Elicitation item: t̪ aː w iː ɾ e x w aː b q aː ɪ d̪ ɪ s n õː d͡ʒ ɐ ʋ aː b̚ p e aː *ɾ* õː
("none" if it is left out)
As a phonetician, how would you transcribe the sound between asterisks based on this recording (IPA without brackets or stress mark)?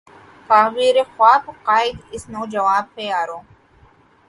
ɾ